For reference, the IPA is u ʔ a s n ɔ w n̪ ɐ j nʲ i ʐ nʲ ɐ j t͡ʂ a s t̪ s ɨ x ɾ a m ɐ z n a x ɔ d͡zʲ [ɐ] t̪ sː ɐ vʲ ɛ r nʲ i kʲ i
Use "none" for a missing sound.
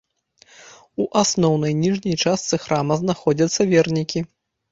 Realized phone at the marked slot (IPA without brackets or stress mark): ɐ